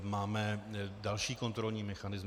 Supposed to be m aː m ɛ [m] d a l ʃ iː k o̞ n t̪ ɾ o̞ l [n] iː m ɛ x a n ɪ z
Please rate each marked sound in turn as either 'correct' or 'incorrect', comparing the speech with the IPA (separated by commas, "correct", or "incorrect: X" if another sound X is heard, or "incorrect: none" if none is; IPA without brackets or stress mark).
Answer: incorrect: none, incorrect: ɲ